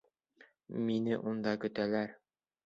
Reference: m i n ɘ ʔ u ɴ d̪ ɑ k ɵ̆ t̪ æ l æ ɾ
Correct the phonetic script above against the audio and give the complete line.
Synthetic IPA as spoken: m i n ɘ ʔ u n d̪ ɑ k ɵ̆ t̪ æ l æ ɾ